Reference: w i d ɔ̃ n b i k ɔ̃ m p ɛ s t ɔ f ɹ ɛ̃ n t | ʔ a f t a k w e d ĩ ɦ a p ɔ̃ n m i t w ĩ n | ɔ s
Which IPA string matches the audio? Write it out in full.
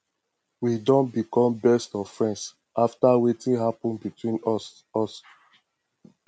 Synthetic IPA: w i d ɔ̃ n b i k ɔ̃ m b ɛ s t ɔ f ɹ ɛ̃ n s | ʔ a f t a w e t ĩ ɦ a p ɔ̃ n b i t w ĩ n | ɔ s